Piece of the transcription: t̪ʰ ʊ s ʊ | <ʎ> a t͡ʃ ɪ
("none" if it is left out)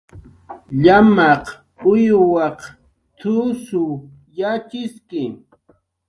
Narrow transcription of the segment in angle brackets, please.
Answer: j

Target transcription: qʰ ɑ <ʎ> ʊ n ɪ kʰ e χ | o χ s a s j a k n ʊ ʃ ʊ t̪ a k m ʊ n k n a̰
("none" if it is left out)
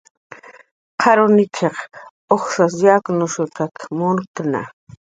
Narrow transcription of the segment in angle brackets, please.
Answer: ɾ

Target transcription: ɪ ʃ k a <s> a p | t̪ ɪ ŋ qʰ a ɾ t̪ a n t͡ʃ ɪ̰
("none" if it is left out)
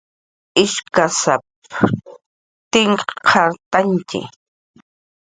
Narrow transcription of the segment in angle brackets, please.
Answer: s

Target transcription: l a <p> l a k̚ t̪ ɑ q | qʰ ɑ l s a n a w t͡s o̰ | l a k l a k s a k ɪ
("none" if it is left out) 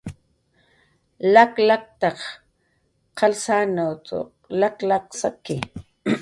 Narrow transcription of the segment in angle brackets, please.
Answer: k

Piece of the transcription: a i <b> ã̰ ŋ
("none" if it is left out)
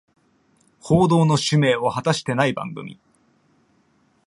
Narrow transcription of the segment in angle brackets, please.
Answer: b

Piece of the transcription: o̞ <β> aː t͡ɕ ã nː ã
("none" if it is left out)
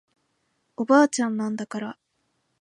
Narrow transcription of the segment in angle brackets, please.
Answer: b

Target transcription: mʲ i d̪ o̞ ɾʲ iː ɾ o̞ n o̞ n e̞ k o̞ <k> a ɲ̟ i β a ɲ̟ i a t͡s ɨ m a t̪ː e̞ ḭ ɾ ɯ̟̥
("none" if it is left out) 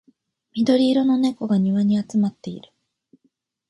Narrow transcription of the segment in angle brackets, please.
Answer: ɡ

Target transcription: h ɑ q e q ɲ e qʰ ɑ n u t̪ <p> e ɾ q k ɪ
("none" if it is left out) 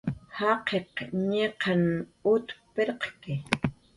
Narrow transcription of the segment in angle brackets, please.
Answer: p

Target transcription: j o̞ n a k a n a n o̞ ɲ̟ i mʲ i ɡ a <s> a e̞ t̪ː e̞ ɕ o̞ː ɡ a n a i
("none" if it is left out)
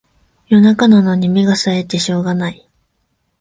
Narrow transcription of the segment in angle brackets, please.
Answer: s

